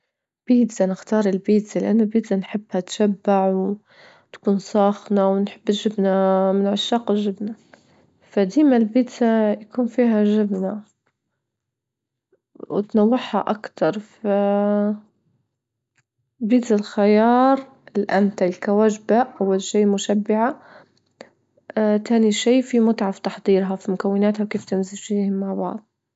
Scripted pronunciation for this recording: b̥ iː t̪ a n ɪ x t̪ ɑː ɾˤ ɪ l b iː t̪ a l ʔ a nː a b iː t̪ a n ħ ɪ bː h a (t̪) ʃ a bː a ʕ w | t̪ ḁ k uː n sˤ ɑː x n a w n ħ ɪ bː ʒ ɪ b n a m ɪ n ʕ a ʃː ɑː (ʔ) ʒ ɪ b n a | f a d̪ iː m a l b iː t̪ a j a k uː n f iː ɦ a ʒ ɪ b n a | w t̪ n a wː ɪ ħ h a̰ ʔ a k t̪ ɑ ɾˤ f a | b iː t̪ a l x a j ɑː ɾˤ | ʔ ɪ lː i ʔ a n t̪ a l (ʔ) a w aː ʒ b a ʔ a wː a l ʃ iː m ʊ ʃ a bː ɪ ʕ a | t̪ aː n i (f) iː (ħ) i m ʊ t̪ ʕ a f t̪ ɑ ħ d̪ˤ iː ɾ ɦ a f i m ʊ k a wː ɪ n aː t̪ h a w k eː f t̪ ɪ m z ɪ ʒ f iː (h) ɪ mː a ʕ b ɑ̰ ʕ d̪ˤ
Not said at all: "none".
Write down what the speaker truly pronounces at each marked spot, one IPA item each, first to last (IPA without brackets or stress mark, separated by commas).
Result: t̪, q, k, ʃ, f, h